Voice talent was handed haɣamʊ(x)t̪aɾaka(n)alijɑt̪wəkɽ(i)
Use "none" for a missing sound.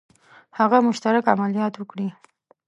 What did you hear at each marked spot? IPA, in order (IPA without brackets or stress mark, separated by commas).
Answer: ʃ, m, i